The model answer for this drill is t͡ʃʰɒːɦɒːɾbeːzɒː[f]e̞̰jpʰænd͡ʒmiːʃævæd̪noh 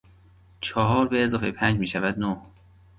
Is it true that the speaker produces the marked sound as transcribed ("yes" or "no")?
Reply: yes